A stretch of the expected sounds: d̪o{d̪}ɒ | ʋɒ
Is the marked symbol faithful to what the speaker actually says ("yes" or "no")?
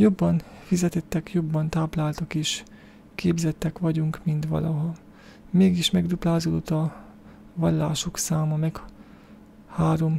no